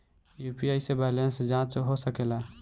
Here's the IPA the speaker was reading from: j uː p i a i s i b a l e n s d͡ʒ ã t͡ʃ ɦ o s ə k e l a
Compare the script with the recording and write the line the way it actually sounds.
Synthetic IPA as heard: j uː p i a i s e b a l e n s d͡ʒ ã t͡ʃ ɦ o s ə k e l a